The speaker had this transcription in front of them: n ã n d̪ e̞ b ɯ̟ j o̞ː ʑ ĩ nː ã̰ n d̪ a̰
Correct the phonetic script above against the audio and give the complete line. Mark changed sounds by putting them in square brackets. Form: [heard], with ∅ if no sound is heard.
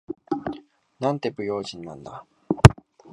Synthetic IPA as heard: n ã n [t̪] e̞ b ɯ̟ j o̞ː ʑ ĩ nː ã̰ n d̪ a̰